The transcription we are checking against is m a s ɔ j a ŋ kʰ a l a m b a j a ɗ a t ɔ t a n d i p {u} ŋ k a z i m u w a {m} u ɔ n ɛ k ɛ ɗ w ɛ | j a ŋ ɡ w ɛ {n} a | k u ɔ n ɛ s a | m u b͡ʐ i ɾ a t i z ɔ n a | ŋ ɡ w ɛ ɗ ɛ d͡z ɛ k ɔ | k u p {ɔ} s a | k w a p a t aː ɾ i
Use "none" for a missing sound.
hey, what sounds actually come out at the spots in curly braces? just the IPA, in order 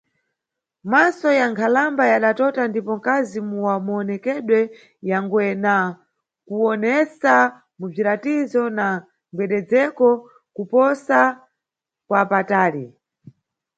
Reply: ɔ, m, n, ɔ

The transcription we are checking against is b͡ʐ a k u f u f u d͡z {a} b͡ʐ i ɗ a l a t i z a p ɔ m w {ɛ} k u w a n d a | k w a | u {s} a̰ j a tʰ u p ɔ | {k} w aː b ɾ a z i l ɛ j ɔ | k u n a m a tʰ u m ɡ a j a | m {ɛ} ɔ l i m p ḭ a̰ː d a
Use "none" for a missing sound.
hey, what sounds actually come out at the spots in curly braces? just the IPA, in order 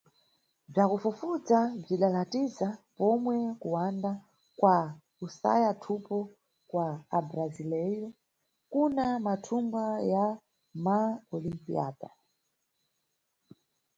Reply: a, ɛ, s, k, a

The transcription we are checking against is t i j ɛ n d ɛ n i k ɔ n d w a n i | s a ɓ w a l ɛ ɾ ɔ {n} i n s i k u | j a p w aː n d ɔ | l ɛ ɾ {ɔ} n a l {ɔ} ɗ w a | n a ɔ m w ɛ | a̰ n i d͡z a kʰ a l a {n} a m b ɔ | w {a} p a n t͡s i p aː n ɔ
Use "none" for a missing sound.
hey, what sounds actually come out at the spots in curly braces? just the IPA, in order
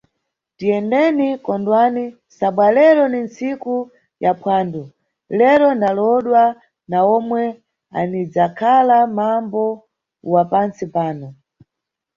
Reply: n, ɔ, ɔ, m, a

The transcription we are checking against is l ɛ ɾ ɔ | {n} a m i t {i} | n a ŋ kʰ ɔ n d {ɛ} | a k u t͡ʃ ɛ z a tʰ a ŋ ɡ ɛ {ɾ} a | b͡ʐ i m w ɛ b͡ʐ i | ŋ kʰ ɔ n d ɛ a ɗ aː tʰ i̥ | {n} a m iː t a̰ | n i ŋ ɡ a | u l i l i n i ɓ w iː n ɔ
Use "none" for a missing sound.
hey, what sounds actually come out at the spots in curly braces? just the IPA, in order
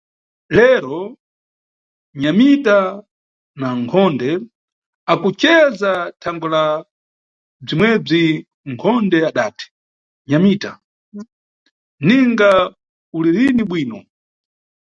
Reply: ɲ, a, ɛ, l, ɲ

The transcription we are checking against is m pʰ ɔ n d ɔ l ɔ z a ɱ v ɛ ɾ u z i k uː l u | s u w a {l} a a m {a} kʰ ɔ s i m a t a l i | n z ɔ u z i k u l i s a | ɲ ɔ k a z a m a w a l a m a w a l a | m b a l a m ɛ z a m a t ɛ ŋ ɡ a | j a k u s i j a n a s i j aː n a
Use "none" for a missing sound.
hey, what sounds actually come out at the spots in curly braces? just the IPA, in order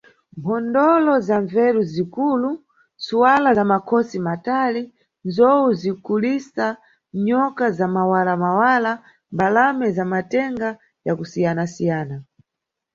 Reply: l, a

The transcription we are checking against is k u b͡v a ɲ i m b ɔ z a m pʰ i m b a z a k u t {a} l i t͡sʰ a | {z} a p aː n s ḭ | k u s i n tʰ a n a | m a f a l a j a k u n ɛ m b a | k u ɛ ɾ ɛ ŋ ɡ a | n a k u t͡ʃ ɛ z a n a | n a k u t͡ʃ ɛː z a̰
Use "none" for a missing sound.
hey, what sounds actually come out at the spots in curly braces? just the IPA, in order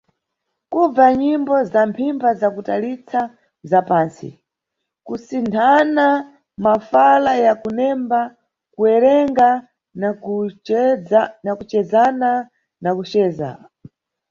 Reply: a, z

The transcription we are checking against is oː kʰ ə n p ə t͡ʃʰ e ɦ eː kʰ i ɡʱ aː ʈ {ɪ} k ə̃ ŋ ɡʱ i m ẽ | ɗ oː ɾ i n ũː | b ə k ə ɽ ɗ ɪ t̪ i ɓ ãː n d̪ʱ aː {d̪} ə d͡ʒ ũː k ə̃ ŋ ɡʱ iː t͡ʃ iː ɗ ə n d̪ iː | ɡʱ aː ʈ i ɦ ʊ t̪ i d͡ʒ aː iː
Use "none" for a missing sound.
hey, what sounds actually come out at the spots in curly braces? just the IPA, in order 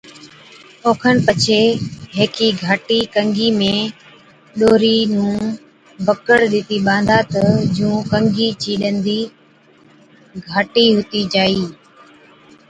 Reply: i, t̪

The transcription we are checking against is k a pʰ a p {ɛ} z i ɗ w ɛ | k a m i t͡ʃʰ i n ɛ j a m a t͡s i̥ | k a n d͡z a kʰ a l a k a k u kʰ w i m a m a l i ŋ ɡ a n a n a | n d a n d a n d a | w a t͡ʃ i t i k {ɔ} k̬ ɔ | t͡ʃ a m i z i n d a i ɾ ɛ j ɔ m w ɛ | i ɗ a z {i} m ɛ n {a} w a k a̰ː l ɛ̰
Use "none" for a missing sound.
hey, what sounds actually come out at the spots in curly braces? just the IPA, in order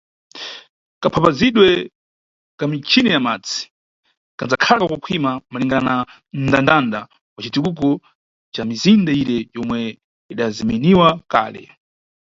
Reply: a, u, i, i

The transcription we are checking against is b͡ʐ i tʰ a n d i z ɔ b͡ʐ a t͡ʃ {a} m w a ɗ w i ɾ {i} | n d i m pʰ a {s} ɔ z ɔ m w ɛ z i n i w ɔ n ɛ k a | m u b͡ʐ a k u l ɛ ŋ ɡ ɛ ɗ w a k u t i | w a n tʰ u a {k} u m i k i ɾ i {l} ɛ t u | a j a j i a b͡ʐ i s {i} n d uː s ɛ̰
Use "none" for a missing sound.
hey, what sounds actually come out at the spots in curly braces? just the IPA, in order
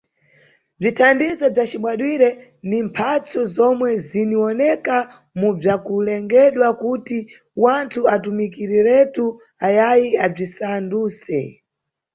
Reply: i, ɛ, t͡s, t, ɾ, a

